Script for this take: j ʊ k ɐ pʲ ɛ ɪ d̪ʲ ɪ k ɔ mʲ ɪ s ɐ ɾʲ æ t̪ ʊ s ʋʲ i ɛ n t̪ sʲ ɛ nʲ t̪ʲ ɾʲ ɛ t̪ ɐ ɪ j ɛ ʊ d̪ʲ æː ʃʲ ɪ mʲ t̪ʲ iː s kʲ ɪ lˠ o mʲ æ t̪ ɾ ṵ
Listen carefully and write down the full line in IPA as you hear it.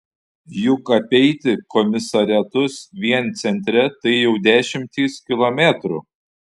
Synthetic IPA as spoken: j ʊ k ɐ pʲ ɛ ɪ t̪ʲ ɪ k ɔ mʲ ɪ s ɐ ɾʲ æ t̪ ʊ s ʋʲ i ɛ n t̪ sʲ ɛ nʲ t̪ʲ ɾʲ ɛ t̪ ɐ ɪ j ɛ ʊ d̪ʲ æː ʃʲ ɪ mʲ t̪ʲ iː s kʲ ɪ lˠ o mʲ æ t̪ ɾ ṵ